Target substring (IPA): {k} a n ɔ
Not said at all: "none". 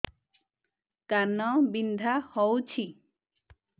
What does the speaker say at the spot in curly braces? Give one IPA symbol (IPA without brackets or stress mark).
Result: k